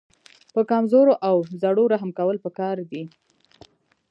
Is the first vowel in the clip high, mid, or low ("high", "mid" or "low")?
mid